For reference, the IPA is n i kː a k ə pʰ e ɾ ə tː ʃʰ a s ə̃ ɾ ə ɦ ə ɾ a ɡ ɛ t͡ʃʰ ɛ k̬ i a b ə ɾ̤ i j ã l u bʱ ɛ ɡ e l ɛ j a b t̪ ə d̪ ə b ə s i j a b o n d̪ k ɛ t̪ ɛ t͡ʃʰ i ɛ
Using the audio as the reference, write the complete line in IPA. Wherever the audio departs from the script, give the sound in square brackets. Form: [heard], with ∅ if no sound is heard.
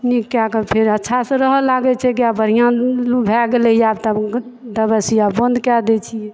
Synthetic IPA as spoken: n i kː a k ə pʰ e ɾ ə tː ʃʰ a s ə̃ ɾ ə ɦ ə [l] a ɡ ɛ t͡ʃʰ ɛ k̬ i a b ə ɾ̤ i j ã l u bʱ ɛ ɡ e l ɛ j a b t̪ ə d̪ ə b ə s i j a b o n d̪ k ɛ [d̪] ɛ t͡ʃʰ i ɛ